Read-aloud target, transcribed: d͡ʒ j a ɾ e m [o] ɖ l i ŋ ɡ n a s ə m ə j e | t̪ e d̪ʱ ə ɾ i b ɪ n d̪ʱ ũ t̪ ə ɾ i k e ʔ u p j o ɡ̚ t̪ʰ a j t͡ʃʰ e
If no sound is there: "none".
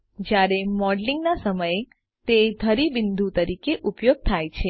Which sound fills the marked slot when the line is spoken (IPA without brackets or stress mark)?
ɔ